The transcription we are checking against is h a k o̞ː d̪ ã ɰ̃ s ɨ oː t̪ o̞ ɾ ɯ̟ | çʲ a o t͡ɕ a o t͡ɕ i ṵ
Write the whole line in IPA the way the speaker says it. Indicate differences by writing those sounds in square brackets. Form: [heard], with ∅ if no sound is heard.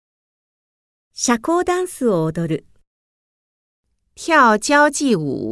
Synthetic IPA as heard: [ɕ] a k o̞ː d̪ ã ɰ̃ s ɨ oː [d̪] o̞ ɾ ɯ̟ | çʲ a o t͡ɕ a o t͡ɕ i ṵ